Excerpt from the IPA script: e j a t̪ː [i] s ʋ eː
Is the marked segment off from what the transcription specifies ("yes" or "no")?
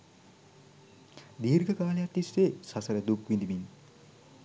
no